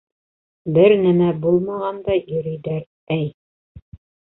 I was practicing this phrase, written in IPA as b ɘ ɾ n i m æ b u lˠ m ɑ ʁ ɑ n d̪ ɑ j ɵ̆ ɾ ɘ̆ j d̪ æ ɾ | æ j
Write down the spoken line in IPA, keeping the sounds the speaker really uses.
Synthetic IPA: b ɘ ɾ n æ m æ b u lˠ m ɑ ʁ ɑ n d̪ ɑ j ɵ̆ ɾ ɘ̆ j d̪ æ ɾ | æ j